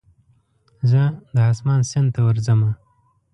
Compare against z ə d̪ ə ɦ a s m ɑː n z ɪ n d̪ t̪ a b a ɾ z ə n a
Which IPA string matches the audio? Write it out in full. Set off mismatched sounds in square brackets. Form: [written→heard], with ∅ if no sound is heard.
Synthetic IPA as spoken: z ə d̪ ə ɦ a s m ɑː n [z→s] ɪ n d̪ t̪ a [b→w] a ɾ z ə [n→m] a